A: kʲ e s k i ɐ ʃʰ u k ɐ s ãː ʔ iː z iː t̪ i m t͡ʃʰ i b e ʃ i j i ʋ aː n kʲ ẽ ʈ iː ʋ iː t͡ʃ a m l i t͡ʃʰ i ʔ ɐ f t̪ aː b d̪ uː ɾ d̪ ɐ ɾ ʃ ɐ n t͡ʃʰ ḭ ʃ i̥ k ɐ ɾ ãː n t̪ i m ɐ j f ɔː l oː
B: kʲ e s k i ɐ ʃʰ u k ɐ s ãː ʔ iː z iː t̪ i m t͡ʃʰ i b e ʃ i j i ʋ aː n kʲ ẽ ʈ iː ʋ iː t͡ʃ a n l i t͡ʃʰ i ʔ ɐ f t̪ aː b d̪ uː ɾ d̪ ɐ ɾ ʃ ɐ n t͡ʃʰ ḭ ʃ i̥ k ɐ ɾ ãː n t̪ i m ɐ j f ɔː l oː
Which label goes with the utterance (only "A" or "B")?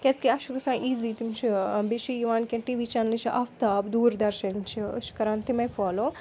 B